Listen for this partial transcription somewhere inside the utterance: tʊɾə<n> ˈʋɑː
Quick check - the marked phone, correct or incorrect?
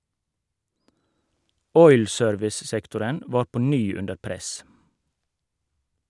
correct